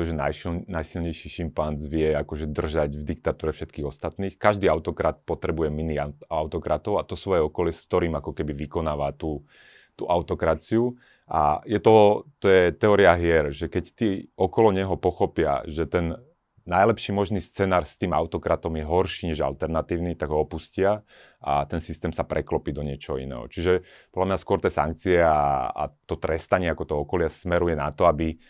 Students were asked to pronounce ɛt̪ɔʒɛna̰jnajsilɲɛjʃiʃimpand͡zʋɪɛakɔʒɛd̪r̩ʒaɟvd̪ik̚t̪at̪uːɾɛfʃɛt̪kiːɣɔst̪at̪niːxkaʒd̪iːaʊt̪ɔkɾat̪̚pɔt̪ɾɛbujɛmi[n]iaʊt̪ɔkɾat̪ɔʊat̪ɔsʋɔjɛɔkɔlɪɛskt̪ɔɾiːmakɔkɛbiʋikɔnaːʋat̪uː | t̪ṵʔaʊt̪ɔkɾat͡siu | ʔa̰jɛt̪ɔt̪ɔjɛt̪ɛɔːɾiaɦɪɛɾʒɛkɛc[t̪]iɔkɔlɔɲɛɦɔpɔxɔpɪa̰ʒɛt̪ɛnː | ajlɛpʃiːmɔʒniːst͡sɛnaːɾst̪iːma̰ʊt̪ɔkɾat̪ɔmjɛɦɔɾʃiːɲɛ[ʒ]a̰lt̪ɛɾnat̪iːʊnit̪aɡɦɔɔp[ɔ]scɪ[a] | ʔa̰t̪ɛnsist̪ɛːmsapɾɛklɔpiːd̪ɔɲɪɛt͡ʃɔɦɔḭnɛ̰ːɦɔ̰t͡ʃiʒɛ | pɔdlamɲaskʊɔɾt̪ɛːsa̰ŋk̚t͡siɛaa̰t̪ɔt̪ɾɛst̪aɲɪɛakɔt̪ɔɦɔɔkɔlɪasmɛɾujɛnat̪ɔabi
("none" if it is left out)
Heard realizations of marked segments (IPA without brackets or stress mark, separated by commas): n, t̪, ʒ, u, a